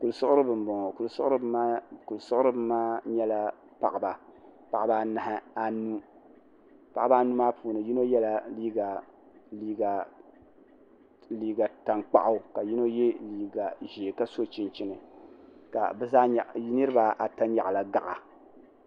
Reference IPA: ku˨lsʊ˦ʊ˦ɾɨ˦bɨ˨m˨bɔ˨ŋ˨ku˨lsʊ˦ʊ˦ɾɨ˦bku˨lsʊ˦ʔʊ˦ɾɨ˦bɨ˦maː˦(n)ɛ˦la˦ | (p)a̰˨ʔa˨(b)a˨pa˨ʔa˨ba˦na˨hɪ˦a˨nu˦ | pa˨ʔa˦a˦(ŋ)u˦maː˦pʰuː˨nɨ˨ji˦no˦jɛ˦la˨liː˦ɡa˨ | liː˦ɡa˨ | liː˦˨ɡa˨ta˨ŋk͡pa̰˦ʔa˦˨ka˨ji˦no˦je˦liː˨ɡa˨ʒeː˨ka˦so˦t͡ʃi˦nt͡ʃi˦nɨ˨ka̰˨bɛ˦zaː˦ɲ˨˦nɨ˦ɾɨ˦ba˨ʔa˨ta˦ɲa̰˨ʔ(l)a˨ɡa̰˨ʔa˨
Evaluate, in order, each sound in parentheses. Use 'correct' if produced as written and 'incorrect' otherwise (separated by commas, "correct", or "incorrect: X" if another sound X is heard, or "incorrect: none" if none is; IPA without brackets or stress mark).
incorrect: ɲ, correct, correct, incorrect: n, correct